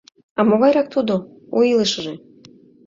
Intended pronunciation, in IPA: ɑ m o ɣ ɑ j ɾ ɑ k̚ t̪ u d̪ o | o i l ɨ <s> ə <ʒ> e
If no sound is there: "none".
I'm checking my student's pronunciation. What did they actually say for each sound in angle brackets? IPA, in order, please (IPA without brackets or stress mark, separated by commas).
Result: ʃ, ʒ